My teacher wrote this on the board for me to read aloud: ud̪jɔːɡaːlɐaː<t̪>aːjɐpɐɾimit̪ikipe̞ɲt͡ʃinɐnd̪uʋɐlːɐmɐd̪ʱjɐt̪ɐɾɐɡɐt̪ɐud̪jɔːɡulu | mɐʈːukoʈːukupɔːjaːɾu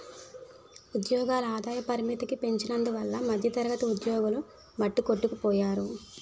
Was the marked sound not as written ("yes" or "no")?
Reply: yes